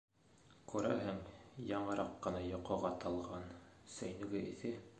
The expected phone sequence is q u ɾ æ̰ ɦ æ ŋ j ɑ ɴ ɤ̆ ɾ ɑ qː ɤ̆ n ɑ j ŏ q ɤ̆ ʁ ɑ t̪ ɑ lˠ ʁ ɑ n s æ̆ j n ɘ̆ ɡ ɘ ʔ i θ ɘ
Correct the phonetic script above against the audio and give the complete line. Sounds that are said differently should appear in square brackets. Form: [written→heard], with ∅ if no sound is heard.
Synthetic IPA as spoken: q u ɾ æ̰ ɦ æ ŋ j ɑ ɴ ɤ̆ ɾ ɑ qː ɤ̆ n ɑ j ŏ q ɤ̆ ʁ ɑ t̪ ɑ lˠ ʁ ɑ n s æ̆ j n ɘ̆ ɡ ɘ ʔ i θ ɘ